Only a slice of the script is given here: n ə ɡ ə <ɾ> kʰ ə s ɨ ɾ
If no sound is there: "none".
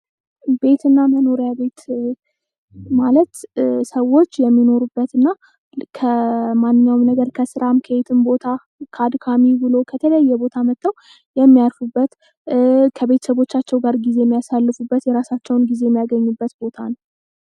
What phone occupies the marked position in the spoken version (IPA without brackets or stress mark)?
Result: ɾ